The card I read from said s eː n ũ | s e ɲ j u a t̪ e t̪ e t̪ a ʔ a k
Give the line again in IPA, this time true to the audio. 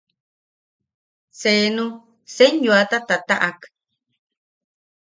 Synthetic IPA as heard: s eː n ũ | s e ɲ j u a t̪ a t̪ a t̪ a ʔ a k